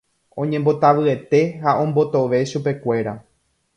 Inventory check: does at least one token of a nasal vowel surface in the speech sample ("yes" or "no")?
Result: yes